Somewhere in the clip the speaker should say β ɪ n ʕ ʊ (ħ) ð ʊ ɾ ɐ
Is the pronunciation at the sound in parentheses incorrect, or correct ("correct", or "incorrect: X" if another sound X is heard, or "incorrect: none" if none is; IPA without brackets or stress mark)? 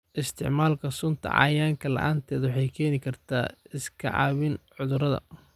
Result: incorrect: none